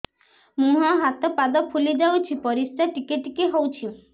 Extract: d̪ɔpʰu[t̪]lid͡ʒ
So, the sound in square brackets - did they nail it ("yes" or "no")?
no